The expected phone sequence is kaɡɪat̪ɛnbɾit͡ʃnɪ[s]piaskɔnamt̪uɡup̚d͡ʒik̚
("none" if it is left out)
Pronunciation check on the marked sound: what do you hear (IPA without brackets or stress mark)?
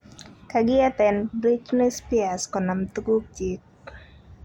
s